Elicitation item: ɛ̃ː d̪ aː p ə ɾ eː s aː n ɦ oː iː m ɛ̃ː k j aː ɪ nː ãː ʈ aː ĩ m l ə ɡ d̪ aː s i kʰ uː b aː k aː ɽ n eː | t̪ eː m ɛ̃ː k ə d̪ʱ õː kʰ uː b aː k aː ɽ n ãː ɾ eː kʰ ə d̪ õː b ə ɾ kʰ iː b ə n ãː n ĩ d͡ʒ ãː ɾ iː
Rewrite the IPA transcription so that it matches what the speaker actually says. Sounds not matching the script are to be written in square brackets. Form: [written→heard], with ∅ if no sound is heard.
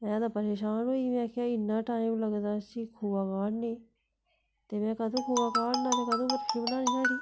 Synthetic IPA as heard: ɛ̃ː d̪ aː p ə ɾ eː [s→ʃ] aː n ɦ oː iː m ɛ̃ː k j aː ɪ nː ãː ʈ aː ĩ m l ə ɡ d̪ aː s i kʰ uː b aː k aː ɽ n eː | t̪ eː m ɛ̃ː k ə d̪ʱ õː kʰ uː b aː k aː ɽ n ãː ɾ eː [kʰ→k] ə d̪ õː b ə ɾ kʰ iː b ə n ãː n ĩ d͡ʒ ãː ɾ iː